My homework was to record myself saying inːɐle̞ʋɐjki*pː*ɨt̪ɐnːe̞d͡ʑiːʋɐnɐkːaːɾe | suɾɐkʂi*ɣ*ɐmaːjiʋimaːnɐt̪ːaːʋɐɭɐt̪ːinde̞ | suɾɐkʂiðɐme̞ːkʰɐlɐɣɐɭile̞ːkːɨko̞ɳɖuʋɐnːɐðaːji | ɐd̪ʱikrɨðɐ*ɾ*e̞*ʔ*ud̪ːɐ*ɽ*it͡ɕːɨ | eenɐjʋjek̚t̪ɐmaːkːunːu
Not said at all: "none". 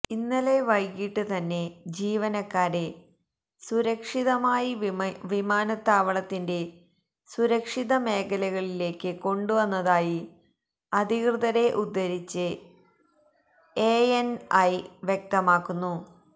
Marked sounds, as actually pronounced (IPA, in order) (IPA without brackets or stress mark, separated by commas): ʈː, ð, ɾ, ʔ, ɾ